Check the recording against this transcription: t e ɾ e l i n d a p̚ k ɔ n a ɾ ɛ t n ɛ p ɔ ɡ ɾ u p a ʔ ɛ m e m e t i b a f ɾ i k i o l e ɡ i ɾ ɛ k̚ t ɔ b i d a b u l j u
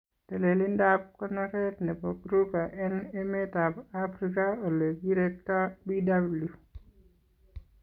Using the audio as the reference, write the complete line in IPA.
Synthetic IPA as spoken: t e l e l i n d a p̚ k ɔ n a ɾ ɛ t n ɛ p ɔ ɡ ɾ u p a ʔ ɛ n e m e t a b a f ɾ i k a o l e ɡ i ɾ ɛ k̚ t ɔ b i d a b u l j u